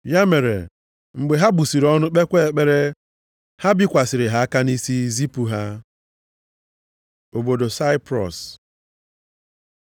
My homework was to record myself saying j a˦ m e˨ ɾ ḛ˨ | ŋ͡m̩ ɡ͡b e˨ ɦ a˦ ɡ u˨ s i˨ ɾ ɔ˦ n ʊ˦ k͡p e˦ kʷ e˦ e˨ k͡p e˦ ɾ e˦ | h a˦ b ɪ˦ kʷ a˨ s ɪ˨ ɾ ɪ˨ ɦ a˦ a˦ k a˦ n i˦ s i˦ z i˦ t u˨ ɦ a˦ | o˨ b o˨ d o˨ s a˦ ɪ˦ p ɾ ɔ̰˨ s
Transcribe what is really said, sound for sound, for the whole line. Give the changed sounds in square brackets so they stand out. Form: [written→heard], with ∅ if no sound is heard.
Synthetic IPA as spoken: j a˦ m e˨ ɾ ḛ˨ | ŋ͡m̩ ɡ͡b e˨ ɦ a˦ [ɡ→b] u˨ s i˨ ɾ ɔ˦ n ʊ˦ k͡p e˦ kʷ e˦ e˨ k͡p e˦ ɾ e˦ | h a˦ b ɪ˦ kʷ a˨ s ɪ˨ ɾ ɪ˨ ɦ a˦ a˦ k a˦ n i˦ s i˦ z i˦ [t→p] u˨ ɦ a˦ | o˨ b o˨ d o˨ s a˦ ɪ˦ p ɾ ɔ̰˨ s